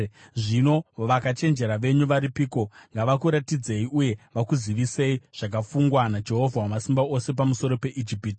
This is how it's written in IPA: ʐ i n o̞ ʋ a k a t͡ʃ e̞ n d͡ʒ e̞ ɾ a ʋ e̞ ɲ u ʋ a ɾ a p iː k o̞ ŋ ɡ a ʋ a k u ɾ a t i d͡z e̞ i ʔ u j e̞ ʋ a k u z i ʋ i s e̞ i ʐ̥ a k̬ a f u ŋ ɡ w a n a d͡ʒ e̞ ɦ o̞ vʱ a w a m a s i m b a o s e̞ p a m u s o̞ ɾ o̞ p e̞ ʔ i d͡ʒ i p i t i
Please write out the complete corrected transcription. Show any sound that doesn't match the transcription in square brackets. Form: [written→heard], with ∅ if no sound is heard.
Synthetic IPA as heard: ʐ i n o̞ ʋ a k a t͡ʃ e̞ n d͡ʒ e̞ ɾ a ʋ e̞ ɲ u ʋ a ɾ [a→i] p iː k o̞ ŋ ɡ a ʋ a k u ɾ a t i d͡z e̞ i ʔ u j e̞ ʋ a k u z i ʋ i s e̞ i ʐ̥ a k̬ a f u ŋ ɡ w a n a d͡ʒ e̞ ɦ o̞ vʱ a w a m a s i m b a o s e̞ p a m u s o̞ ɾ o̞ p e̞ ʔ i d͡ʒ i p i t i

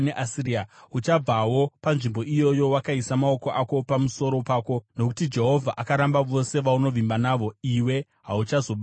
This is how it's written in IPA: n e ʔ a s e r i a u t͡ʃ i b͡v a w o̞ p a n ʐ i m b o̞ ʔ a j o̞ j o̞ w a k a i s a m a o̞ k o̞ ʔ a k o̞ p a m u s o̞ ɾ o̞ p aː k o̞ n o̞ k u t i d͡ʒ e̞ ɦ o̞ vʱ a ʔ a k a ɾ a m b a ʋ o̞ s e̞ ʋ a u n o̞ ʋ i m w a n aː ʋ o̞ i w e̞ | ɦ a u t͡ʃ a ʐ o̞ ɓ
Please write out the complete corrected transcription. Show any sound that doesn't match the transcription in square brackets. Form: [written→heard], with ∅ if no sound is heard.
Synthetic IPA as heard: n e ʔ a s [e→i] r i a u t͡ʃ [i→a] b͡v a w o̞ p a n ʐ i m b o̞ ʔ [a→i] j o̞ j o̞ w a k a i s a m a o̞ k o̞ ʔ a k o̞ p a m u s o̞ ɾ o̞ p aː k o̞ n o̞ k u t i d͡ʒ e̞ ɦ o̞ vʱ a ʔ a k a ɾ a m b a ʋ o̞ s e̞ ʋ a u n o̞ ʋ i m [w→b] a n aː ʋ o̞ i w e̞ | ɦ a u t͡ʃ a [ʐ→z] o̞ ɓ

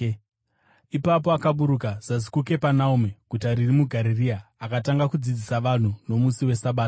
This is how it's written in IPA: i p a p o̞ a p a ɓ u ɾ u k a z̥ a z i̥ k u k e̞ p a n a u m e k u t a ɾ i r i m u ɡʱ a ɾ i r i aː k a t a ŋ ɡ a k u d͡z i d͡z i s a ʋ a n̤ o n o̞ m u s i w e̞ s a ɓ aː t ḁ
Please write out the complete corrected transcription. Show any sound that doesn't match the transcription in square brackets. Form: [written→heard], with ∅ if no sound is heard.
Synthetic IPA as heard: i p a p o̞ a [p→k] a ɓ u ɾ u k a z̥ a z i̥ k u k e̞ p a n a u m e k u t a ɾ i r i m u ɡʱ a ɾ i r i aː k a t a ŋ ɡ a k u d͡z i d͡z i s a ʋ a n̤ [o→u] n o̞ m u s i w e̞ s a ɓ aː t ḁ

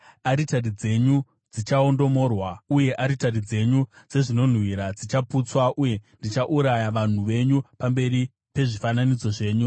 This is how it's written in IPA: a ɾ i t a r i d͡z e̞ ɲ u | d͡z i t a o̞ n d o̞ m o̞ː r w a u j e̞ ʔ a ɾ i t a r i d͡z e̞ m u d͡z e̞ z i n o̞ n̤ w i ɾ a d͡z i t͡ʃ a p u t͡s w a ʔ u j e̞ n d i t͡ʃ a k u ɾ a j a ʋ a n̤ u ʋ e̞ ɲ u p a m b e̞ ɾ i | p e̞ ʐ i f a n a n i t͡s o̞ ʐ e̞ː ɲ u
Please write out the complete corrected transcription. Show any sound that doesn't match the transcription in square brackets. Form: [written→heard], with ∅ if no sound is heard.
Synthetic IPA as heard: a ɾ i t a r i d͡z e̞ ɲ u | d͡z i [t→t͡ʃ] a o̞ n d o̞ m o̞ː r w a u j e̞ ʔ a ɾ i t a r i d͡z e̞ [m→ɲ] u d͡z e̞ [z→ʐ] i n o̞ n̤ w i ɾ a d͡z i t͡ʃ a p u t͡s w a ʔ u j e̞ n d i t͡ʃ a [k→ʔ] u ɾ a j a ʋ a n̤ u ʋ e̞ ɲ u p a m b e̞ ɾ i | p e̞ ʐ i f a n a n i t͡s o̞ ʐ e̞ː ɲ u

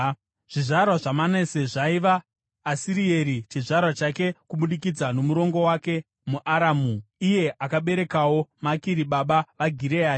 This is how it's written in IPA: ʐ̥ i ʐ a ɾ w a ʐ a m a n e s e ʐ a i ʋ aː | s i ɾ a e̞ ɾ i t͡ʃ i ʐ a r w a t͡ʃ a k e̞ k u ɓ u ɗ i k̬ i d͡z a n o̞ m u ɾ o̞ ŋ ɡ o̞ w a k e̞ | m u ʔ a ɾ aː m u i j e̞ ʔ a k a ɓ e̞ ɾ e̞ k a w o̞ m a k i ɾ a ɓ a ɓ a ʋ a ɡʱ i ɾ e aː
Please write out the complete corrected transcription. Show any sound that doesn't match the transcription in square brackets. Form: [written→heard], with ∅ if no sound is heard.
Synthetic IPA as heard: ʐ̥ i ʐ a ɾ w a ʐ a m a n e s e ʐ a i ʋ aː | s i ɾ [a→i] e̞ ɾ i t͡ʃ i ʐ a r w a t͡ʃ a k e̞ k u ɓ u ɗ i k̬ i d͡z a n o̞ m u ɾ o̞ ŋ ɡ o̞ w a k e̞ | m u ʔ a ɾ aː m u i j e̞ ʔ a k a ɓ e̞ ɾ e̞ k a w o̞ m a k i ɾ [a→i] ɓ a ɓ a ʋ a ɡʱ i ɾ e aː

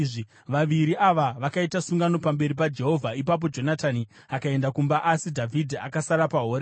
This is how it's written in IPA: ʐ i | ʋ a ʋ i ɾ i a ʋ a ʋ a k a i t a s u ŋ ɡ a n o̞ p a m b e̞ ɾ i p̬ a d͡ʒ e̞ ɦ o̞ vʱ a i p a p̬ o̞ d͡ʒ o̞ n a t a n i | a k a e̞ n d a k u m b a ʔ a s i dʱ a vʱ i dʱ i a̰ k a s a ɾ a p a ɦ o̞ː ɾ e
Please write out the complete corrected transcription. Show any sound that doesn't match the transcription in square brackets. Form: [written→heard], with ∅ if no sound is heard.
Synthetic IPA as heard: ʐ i | ʋ a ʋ i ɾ i a ʋ a ʋ a k a i t a s u ŋ ɡ a n o̞ p a m b e̞ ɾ i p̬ a d͡ʒ e̞ ɦ o̞ vʱ a i p a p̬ o̞ d͡ʒ o̞ n a t a n i | a k a e̞ n d a k u m b a ʔ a s i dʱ a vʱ i dʱ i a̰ k a s a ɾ a p a ɦ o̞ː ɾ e

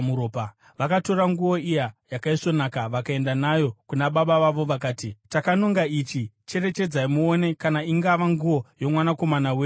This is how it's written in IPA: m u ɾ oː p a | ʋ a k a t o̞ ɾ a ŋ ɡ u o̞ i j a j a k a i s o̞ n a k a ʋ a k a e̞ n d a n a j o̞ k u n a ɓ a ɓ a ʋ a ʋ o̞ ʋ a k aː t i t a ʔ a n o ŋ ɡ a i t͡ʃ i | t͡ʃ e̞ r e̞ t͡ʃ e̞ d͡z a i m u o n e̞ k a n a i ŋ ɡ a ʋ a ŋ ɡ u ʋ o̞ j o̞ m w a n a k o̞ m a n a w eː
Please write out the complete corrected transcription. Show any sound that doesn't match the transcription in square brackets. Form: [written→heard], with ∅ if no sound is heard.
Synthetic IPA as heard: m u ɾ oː p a | ʋ a k a t o̞ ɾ a ŋ ɡ u o̞ i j a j a k a i s o̞ n a k a ʋ a k a e̞ n d a n a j o̞ k u n a ɓ a ɓ a ʋ a ʋ o̞ ʋ a k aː t i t a [ʔ→k] a n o ŋ ɡ a i t͡ʃ i | t͡ʃ e̞ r e̞ t͡ʃ e̞ d͡z a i m u o n e̞ k a n a i ŋ ɡ a ʋ a ŋ ɡ u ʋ o̞ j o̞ m w a n a k o̞ m a n a w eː

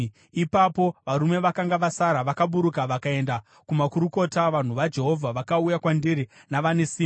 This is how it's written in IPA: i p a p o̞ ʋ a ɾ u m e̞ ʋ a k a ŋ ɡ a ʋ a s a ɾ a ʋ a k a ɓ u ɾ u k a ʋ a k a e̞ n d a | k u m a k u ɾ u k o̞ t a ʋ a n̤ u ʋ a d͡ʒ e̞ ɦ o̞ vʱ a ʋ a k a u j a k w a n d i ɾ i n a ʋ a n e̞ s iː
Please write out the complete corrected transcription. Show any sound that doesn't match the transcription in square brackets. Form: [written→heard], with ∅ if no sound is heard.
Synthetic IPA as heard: i p a p o̞ ʋ a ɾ u m e̞ ʋ a k a ŋ ɡ a ʋ a s a ɾ a ʋ a k a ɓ u ɾ u k a ʋ a k a e̞ n d a | k u m a k u ɾ u k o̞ t a ʋ a n̤ u ʋ a d͡ʒ e̞ ɦ o̞ vʱ a ʋ a k a u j a k w a n d i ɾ i n a ʋ a n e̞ s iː

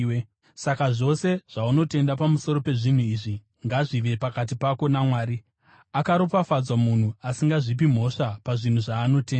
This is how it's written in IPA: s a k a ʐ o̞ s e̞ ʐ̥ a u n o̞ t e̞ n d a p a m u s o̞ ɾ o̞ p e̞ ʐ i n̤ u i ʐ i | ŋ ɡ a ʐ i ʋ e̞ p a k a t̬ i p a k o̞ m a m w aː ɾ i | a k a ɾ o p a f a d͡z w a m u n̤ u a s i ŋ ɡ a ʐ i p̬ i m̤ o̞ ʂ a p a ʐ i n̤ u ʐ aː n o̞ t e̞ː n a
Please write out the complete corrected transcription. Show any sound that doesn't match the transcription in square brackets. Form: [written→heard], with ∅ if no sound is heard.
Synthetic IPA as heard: s a k a ʐ o̞ s e̞ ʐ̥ a u n o̞ t e̞ n d a p a m u s o̞ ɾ o̞ p e̞ ʐ i n̤ u i ʐ i | ŋ ɡ a ʐ i ʋ e̞ p a k a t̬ i p a k o̞ [m→n] a m w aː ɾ i | a k a ɾ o p a f a d͡z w a m u n̤ u a s i ŋ ɡ a ʐ i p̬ i m̤ o̞ ʂ a p a ʐ i n̤ u ʐ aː n o̞ t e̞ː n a

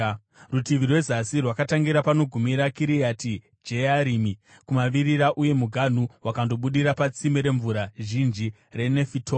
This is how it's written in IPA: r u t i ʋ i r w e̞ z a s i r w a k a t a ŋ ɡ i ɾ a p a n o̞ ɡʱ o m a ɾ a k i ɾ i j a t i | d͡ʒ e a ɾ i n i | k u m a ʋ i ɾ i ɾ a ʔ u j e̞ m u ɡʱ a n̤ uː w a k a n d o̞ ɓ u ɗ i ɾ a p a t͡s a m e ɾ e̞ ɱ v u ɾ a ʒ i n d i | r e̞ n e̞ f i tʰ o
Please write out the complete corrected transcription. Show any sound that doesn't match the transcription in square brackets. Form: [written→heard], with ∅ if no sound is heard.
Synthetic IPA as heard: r u t i ʋ i r w e̞ z a s i r w a k a t a ŋ ɡ i ɾ a p a n o̞ ɡʱ [o→u] m [a→i] ɾ a k i ɾ i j a t i | d͡ʒ e a ɾ i [n→m] i | k u m a ʋ i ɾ i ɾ a ʔ u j e̞ m u ɡʱ a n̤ [uː→u] w a k a n d o̞ ɓ u ɗ i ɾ a p a t͡s [a→i] m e ɾ e̞ ɱ v u ɾ a ʒ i n [d→d͡ʒ] i | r e̞ n e̞ f i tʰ o

